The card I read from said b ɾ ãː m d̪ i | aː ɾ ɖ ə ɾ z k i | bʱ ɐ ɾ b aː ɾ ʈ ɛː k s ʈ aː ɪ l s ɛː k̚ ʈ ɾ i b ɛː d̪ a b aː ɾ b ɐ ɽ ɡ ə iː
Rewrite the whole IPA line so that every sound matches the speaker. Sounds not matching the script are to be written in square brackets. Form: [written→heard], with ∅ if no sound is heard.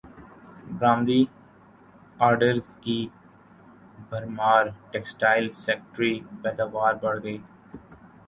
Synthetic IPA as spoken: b ɾ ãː m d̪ i | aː ɾ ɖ ə ɾ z k i | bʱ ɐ ɾ [b→m] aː ɾ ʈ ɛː k s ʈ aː ɪ l s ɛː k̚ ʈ ɾ i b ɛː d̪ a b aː ɾ b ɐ ɽ ɡ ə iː